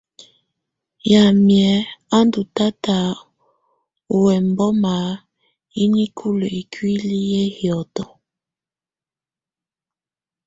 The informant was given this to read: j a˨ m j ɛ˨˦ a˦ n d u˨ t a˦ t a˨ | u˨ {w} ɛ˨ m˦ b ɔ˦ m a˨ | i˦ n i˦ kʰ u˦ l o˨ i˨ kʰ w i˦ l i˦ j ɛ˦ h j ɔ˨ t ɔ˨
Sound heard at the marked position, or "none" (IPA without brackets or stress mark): w